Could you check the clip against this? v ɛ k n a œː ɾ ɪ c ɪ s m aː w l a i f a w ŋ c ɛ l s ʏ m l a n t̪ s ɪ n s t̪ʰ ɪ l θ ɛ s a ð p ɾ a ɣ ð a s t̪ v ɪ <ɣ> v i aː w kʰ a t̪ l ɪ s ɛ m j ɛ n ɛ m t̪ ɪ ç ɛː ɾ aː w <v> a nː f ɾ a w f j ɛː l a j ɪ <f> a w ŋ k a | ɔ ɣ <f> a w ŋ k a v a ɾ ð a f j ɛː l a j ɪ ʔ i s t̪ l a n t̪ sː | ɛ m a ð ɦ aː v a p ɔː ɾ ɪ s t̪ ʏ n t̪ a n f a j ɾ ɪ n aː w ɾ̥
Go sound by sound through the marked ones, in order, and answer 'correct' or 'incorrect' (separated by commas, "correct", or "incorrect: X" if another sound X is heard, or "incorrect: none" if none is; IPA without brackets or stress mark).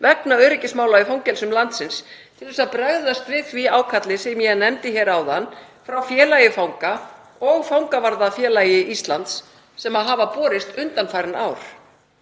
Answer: incorrect: ð, incorrect: ð, correct, correct